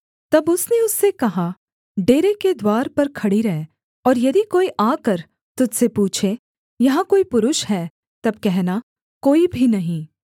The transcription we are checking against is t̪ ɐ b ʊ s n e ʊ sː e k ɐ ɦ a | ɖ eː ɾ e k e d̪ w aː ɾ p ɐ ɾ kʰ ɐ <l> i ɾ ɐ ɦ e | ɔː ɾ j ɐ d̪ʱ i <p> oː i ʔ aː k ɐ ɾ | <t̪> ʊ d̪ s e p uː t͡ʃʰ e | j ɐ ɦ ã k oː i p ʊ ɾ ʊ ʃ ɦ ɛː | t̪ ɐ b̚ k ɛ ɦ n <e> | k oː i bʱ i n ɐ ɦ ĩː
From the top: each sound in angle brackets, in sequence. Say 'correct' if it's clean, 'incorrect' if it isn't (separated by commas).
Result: incorrect, incorrect, correct, incorrect